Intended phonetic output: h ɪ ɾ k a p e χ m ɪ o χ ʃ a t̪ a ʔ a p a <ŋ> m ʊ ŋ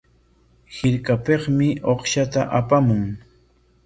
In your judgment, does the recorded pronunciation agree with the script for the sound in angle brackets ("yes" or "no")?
no